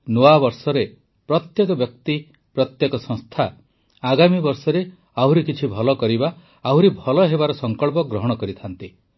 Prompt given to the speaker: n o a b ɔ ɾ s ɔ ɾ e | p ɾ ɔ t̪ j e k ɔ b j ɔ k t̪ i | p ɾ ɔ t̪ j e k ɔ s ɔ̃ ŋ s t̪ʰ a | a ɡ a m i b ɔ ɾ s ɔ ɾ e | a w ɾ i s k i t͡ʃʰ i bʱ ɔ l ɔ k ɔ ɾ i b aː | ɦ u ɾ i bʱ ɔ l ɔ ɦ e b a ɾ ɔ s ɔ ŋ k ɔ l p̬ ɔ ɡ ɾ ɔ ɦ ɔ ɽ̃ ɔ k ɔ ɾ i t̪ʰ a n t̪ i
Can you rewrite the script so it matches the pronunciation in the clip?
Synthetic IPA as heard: n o a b ɔ ɾ s ɔ ɾ e | p ɾ ɔ t̪ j e k ɔ b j ɔ k t̪ i | p ɾ ɔ t̪ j e k ɔ s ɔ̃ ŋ s t̪ʰ a | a ɡ a m i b ɔ ɾ s ɔ ɾ e | a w ɾ i k i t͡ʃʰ i bʱ ɔ l ɔ k ɔ ɾ i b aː | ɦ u ɾ i bʱ ɔ l ɔ ɦ e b a ɾ ɔ s ɔ ŋ k ɔ ɭ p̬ ɔ ɡ ɾ ɔ ɦ ɔ ɽ̃ ɔ k ɔ ɾ i t̪ʰ a n t̪ i